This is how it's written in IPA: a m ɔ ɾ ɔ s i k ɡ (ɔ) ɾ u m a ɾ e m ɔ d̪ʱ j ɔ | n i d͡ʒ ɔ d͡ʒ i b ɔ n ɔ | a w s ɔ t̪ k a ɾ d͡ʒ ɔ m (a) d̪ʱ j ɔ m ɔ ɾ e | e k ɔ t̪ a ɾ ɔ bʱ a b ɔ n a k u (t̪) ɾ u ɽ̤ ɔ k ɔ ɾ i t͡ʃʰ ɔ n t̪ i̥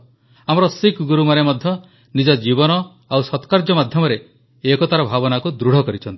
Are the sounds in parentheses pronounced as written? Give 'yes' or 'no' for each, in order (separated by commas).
no, yes, no